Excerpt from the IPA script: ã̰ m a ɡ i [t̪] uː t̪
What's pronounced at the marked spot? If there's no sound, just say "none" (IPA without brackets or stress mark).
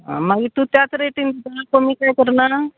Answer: t̪